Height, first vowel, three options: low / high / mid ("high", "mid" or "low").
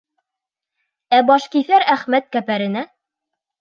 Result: low